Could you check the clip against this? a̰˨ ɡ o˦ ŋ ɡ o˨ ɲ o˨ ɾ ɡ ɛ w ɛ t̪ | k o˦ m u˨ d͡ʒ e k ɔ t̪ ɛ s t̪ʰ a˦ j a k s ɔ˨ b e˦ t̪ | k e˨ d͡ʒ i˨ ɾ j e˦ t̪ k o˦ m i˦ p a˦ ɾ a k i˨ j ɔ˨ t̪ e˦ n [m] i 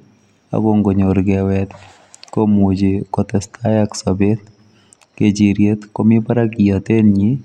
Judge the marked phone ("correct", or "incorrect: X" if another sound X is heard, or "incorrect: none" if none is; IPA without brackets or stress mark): incorrect: ɲ